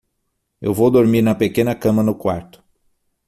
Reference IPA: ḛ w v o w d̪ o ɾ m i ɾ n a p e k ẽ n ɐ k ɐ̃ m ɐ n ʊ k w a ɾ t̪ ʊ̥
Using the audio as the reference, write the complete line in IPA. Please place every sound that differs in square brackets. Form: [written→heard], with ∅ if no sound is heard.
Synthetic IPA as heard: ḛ w v o w d̪ o ɾ m i ɾ n [a→ɐ] p e k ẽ n ɐ k ɐ̃ m ɐ n ʊ k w a ɾ t̪ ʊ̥